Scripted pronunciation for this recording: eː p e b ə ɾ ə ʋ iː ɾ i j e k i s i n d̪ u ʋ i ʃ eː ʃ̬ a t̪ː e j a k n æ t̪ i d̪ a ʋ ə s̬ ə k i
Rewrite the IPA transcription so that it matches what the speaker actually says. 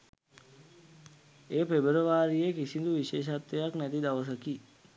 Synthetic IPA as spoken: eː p e b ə ɾ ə ʋ aː ɾ i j e k i s i n d̪ u ʋ i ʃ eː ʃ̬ a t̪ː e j a k n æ t̪ i d̪ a ʋ ə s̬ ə k i

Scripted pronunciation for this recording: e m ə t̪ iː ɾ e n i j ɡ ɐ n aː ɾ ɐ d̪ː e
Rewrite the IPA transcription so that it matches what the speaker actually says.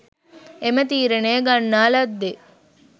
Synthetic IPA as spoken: e m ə t̪ iː ɾ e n e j ɡ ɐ nː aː l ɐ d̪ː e

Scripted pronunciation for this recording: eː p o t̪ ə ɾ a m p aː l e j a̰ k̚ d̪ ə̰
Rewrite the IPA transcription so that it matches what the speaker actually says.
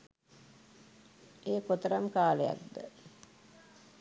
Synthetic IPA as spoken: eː k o t̪ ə ɾ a m k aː l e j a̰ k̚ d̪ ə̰

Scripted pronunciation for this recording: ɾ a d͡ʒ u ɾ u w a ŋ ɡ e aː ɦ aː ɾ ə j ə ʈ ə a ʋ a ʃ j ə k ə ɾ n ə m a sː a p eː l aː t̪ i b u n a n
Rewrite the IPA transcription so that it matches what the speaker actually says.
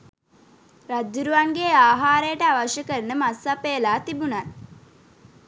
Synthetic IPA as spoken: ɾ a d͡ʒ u ɾ u ʋ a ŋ ɡ e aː ɦ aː ɾ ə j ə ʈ ə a ʋ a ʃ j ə k ə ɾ n ə m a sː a p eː l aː t̪ i b u n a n

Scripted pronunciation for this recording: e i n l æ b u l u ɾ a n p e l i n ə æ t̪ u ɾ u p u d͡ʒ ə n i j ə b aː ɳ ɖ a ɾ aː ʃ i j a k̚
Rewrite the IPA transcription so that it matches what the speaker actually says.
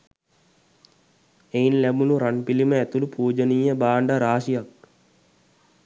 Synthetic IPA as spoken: e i n l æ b u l u ɾ a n p i l i m ə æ t̪ u l u p uː d͡ʒ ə n i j ə b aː ɳ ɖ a ɾ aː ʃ i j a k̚

